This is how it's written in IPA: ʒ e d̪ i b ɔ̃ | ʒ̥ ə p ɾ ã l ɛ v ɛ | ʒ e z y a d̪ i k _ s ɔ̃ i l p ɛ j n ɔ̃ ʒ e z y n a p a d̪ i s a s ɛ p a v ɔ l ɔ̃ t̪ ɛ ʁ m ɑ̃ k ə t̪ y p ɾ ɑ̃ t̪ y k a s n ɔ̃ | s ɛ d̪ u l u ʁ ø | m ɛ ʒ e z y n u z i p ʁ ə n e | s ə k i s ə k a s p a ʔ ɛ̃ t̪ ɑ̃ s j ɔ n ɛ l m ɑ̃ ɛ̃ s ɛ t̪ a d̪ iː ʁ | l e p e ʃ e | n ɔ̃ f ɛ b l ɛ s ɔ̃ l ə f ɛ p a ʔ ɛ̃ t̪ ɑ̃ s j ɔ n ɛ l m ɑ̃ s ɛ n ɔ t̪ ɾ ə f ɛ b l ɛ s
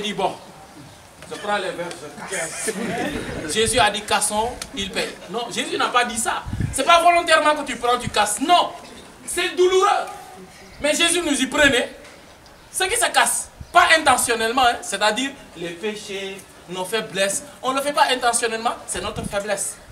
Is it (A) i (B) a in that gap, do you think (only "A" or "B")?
B